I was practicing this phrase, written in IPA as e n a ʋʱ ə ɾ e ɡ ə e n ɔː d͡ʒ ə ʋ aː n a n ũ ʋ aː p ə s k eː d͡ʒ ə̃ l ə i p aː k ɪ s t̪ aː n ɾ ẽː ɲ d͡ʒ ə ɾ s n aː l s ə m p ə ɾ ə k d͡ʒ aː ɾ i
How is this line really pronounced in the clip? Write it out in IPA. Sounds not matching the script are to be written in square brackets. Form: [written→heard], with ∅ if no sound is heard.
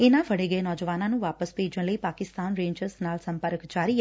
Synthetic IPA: e n a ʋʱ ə [ɾ→ɽ] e ɡ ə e n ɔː d͡ʒ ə ʋ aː n a n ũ ʋ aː p ə s [k→p] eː d͡ʒ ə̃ l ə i p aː k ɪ s t̪ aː n ɾ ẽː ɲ d͡ʒ ə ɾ s n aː l s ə m p ə ɾ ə k d͡ʒ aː ɾ i